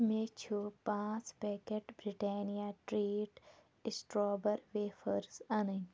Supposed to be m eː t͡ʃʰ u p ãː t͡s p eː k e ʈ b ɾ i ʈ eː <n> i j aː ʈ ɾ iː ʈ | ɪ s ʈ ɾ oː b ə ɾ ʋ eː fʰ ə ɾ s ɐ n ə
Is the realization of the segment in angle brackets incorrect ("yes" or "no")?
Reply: no